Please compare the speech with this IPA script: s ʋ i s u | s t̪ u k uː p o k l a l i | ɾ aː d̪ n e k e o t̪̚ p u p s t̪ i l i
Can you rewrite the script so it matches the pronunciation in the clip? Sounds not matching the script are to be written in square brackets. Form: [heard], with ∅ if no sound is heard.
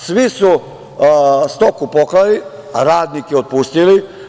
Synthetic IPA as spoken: s ʋ i s u | s t̪ [o] k [u] p o k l a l i | ɾ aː d̪ n [i] k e o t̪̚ p u [∅] s t̪ i l i